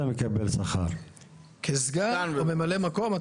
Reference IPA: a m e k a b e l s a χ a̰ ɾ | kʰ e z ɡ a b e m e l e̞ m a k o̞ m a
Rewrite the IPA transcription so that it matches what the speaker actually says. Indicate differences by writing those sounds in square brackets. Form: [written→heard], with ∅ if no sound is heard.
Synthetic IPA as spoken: a m e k a b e l s a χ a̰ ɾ | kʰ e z ɡ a [b→m] e m [e→a] l e̞ m a k o̞ m a

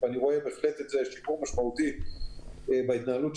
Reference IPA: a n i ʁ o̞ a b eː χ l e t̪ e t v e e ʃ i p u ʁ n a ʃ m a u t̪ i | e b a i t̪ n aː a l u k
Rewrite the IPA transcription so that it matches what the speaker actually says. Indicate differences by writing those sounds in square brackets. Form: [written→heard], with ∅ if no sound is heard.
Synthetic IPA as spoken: a n i ʁ o̞ [a→e] b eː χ l e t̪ e t [v→z] e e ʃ i p u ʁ [n→m] a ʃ m a u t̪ i | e b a i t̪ n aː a l u [k→t]

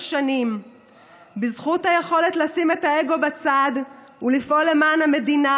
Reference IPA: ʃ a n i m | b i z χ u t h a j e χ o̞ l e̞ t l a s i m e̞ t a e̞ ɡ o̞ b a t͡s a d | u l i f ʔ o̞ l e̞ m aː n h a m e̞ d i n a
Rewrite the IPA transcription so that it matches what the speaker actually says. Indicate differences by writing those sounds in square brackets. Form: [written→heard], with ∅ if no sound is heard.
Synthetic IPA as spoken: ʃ a n i m | b i z χ u t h a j e χ o̞ l e̞ t l a s i m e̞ t a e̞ ɡ o̞ b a t͡s a d | u l i f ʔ o̞ l e̞ m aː n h a m e̞ d i n a

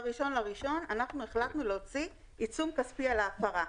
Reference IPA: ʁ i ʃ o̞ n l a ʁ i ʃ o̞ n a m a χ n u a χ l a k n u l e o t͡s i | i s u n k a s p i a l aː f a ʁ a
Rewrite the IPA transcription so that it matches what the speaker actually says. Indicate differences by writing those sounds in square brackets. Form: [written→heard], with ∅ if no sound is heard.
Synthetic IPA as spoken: ʁ i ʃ o̞ n l a ʁ i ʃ o̞ n a [m→n] a χ n u [a→e] χ l a k n u l e o t͡s i | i [s→t͡s] u [n→m] k a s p i a l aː f a ʁ a

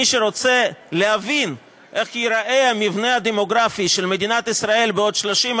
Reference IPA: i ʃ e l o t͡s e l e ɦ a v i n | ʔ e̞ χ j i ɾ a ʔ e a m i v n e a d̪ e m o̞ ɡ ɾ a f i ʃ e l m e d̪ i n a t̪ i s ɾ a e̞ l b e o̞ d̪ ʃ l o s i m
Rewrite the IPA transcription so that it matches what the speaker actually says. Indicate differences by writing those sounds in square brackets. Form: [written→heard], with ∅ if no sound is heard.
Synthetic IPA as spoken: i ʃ e [l→ɾ] o t͡s e l e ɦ a v i n | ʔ e̞ χ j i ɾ a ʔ e a m i v n e a d̪ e m o̞ ɡ ɾ a f i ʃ e l m e d̪ i n a t̪ i s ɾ a e̞ l b e o̞ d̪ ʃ l o [s→ʃ] i m

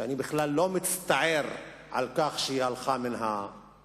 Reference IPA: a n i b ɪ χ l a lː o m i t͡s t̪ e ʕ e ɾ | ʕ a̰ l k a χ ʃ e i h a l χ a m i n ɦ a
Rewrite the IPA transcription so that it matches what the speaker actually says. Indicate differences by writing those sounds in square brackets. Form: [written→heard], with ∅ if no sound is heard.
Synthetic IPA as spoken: a n i b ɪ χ l a lː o m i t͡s t̪ [e→a] ʕ e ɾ | ʕ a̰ l k a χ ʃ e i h a l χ a m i n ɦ a

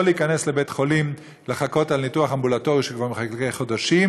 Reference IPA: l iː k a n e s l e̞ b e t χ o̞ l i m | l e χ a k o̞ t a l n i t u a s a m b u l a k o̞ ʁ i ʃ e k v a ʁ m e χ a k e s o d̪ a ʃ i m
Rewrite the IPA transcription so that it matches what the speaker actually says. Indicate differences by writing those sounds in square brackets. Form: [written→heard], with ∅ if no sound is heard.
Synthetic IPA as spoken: l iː k a n e s l e̞ b e t χ o̞ l i m | l e χ a k o̞ t a l n i t u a [s→χ] a m b u l a [k→t] o̞ ʁ i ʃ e k v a ʁ m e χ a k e [s→χ] o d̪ a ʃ i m

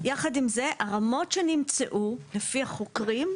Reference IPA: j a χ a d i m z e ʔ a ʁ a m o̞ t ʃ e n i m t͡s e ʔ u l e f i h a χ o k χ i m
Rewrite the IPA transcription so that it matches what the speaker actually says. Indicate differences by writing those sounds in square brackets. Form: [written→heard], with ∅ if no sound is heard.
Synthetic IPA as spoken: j a χ a d i m z e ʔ a ʁ a m o̞ t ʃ e n i m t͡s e ʔ u l e f i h a χ o k [χ→ʁ] i m

